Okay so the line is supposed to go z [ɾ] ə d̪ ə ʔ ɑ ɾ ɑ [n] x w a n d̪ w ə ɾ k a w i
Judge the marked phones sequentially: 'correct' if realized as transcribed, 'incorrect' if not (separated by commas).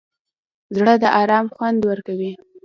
incorrect, incorrect